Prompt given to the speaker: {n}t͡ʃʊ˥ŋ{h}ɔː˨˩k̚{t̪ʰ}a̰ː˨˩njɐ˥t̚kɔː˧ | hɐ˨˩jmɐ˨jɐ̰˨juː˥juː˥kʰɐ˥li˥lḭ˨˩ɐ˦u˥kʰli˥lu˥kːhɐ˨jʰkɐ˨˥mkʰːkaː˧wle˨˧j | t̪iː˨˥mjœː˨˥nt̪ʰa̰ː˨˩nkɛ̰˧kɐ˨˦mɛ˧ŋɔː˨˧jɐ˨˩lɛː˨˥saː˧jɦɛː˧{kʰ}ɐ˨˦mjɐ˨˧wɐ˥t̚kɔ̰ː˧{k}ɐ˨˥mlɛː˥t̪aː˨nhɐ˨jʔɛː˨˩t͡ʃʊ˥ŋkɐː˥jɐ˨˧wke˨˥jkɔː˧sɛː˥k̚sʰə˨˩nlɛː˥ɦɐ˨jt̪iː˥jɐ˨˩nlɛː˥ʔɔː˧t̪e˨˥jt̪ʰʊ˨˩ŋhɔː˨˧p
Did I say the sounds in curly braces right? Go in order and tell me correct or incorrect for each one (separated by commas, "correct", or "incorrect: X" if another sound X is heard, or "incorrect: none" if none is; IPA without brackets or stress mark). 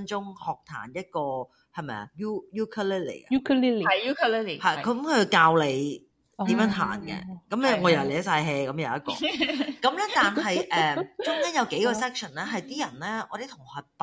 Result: correct, correct, correct, incorrect: k, correct